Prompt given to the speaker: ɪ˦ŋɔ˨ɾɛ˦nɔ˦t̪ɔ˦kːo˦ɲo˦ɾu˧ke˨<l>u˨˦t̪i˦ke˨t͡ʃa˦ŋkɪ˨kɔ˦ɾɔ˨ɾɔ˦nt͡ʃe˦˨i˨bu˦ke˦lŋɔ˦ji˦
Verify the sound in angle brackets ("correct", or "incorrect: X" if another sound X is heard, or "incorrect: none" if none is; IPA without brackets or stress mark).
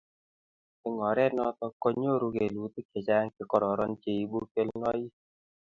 correct